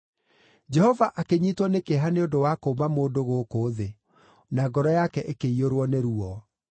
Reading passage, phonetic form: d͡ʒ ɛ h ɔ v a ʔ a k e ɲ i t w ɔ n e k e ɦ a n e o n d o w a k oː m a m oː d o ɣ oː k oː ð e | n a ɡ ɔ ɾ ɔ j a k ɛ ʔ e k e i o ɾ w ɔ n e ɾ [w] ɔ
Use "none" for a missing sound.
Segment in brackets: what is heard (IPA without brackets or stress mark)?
u